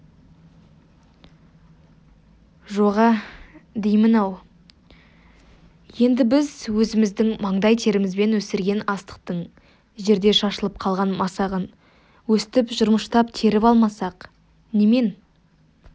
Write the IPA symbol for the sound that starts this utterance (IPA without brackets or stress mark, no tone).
ʒ